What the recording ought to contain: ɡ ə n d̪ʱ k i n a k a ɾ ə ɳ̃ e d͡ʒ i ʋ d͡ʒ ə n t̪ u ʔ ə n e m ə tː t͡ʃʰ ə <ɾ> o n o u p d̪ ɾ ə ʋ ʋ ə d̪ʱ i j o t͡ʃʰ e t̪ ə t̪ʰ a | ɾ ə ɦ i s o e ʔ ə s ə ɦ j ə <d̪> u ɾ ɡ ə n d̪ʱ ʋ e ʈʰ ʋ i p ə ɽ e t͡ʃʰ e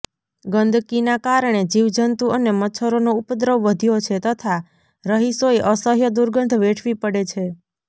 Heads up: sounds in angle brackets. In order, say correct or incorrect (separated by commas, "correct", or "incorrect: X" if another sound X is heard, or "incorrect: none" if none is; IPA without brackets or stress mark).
correct, correct